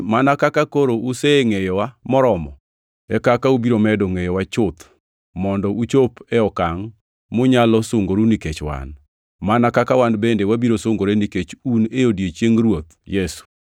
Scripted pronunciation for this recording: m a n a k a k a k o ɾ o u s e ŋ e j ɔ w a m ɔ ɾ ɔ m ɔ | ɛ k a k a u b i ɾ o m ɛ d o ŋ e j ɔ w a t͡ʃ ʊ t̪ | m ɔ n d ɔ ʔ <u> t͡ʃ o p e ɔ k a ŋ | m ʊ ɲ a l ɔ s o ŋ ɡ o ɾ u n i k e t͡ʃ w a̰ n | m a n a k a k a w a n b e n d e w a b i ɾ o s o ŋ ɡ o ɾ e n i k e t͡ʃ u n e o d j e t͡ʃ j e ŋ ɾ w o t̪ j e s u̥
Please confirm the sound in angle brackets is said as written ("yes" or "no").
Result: yes